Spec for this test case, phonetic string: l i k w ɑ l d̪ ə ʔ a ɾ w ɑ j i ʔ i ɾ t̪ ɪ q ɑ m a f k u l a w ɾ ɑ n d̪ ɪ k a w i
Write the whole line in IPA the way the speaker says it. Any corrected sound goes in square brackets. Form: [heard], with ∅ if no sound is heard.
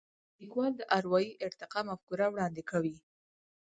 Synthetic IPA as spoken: l i k w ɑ l d̪ ə ʔ a ɾ w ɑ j i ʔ [ɪ] ɾ t̪ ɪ q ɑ m a f k u [ɾ] a w [ɽ] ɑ n d̪ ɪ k a w i

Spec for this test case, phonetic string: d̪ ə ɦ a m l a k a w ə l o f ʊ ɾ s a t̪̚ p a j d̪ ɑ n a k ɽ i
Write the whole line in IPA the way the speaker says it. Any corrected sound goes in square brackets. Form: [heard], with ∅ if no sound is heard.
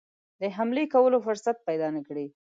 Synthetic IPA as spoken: d̪ ə ɦ a m l [e] k a w ə l o f ʊ ɾ s a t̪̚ p a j d̪ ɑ n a k ɽ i

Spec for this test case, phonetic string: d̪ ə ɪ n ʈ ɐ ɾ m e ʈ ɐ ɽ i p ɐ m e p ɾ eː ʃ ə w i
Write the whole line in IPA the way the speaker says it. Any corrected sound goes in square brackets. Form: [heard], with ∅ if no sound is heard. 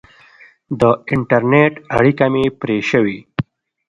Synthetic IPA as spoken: d̪ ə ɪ [ɳ] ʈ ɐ ɾ [n] e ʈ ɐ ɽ i [k] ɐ m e p ɾ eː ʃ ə w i

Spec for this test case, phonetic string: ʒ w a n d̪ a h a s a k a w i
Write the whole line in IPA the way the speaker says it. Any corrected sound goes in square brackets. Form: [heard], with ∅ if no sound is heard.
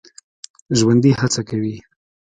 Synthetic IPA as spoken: ʒ w a n d̪ [i] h a [t͡s] a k a w i

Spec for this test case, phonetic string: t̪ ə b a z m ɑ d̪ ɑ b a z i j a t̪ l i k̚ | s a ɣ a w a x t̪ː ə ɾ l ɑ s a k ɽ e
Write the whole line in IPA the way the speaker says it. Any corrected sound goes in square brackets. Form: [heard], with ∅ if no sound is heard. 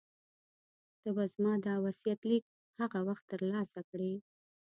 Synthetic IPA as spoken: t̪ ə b a z m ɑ d̪ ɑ [w] a [s] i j a t̪ l i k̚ | [h] a ɣ a w a x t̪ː ə ɾ l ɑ s a k ɽ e

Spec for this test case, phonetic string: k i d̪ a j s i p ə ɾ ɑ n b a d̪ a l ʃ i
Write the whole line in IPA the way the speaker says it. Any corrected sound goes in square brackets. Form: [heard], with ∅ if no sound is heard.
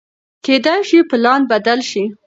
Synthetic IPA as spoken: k [e] d̪ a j [ʃ] i p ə [l] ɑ n b a d̪ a l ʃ i

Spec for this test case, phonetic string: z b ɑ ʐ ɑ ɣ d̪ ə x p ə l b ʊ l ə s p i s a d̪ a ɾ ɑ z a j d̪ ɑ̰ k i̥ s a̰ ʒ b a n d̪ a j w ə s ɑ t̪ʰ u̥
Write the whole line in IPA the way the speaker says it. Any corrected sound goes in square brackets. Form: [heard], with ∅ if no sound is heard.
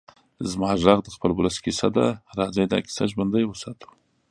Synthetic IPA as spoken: z [m] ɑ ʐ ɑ ɣ d̪ ə x p ə l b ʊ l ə s [k] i s a d̪ a ɾ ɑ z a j d̪ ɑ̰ k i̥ s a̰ ʒ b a n d̪ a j w ə s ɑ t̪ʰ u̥

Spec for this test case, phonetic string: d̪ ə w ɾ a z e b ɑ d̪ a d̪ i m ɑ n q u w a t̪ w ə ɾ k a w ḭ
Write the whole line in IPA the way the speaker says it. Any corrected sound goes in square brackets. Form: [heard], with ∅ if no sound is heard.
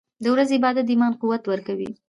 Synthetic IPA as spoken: d̪ ə w ɾ a z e b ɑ d̪ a d̪ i m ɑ n q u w a t̪ w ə ɾ k a w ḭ

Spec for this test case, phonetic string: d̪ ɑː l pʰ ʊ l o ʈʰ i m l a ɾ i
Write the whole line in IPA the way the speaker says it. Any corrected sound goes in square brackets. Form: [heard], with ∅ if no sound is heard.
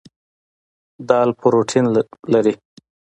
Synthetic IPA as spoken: d̪ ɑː l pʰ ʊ [ɾ] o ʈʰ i [n] l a ɾ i

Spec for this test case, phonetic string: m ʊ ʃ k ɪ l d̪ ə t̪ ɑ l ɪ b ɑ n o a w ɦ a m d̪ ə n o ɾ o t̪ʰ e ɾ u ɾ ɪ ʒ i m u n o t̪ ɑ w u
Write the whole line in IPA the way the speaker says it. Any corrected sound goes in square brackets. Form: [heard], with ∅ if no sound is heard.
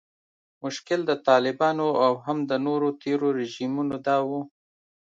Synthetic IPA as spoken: m ʊ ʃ k ɪ l d̪ ə t̪ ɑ l ɪ b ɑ n o a w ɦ a m d̪ ə n o ɾ o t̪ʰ e ɾ [o] ɾ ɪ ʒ i m u n o [d̪] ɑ w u

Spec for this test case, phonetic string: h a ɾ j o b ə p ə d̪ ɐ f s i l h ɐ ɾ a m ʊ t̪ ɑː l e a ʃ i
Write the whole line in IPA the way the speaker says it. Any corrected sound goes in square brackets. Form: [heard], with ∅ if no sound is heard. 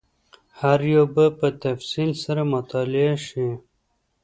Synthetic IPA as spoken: h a ɾ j o b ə p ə [t̪] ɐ f s i l [s] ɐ ɾ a m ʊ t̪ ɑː l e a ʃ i

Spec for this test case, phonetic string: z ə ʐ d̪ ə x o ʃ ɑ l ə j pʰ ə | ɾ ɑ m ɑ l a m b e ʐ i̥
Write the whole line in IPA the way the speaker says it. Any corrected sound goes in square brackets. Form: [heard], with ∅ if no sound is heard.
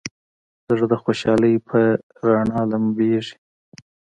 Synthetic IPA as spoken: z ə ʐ d̪ ə x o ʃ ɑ l ə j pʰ ə | ɾ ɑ [ɳ] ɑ l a m b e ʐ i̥

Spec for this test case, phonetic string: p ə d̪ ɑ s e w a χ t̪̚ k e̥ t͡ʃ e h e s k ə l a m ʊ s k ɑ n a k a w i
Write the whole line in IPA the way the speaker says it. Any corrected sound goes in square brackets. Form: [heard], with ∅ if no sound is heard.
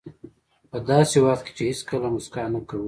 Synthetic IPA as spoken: p ə d̪ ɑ s e w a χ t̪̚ k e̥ t͡ʃ e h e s k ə l a m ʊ s k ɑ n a k a w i

